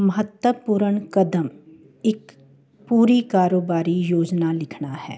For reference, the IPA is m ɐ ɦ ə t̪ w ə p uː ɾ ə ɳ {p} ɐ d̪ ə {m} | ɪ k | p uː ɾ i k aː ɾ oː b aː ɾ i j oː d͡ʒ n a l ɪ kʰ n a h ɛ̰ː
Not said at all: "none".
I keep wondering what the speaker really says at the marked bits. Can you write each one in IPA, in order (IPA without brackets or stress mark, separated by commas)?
k, m